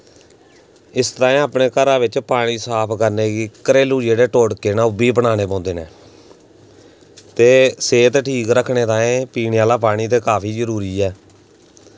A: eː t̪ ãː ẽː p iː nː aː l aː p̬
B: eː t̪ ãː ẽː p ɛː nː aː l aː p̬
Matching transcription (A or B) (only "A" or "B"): A